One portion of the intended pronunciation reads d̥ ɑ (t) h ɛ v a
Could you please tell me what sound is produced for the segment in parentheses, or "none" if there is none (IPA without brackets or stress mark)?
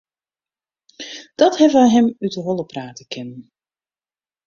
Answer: t